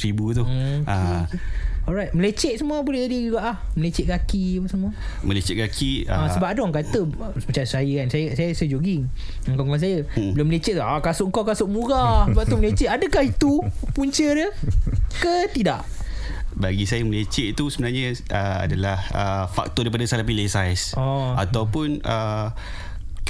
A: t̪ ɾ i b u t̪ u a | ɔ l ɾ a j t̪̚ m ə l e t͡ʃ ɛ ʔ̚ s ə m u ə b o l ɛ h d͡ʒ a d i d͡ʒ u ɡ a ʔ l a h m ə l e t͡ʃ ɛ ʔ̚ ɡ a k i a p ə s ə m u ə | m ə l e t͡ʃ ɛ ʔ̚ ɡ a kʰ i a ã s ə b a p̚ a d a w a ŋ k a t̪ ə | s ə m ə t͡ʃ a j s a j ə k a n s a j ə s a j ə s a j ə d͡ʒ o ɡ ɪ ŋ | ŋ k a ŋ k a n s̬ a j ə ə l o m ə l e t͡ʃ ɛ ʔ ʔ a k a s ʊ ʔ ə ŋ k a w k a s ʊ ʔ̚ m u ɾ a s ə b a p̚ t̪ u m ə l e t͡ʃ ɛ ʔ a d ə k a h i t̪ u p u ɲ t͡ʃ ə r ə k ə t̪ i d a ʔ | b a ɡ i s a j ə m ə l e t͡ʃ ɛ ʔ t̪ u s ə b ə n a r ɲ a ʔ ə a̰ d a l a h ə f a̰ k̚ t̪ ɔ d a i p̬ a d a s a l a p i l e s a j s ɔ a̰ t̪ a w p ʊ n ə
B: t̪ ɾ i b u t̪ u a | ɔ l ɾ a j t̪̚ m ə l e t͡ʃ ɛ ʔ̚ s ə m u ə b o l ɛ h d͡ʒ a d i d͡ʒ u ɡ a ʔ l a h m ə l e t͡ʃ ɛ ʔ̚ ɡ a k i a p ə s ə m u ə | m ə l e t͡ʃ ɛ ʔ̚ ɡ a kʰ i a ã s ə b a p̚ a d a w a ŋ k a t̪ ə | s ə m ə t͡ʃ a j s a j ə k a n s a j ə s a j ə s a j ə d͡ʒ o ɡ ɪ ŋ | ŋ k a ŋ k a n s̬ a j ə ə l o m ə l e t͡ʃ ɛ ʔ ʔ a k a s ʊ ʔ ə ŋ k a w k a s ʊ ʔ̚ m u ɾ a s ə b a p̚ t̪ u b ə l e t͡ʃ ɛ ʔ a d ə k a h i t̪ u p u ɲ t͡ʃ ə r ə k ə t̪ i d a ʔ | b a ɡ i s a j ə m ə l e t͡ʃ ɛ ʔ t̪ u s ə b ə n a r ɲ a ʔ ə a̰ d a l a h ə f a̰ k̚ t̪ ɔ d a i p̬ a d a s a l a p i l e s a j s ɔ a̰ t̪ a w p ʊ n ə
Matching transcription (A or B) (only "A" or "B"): A